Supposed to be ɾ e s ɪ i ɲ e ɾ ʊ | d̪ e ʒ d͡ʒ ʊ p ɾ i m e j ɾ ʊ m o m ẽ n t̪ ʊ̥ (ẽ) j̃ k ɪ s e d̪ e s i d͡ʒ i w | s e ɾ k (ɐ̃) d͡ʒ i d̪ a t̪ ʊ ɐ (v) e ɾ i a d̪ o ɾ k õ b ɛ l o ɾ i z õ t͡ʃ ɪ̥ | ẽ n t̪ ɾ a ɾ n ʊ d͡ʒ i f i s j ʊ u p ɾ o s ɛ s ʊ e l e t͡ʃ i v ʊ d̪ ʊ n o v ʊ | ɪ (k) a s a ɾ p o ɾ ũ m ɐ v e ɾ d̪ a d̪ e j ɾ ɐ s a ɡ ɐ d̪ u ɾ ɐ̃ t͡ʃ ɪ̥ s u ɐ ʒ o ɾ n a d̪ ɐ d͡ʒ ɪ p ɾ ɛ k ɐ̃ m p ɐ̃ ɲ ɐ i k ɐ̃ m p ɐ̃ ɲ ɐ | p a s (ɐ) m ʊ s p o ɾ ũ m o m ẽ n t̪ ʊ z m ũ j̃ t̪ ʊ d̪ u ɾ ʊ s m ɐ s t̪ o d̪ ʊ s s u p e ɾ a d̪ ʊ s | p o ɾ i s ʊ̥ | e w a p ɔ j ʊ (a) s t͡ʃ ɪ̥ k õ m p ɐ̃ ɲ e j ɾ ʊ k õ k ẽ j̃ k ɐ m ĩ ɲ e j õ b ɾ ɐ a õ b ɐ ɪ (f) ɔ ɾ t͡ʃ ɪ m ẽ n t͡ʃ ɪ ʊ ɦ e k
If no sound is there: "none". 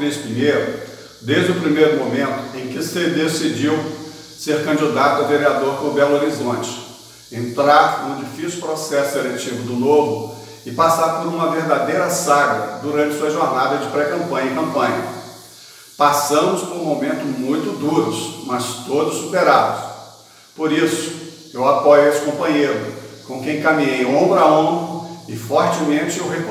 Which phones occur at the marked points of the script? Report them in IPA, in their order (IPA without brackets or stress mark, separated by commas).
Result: ẽ, ɐ̃, v, p, ɐ̃, e, f